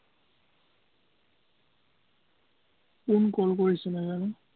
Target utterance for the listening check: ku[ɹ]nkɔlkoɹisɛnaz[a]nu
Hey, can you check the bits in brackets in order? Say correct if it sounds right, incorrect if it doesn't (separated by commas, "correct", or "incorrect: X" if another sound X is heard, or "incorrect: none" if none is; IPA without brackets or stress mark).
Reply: incorrect: none, correct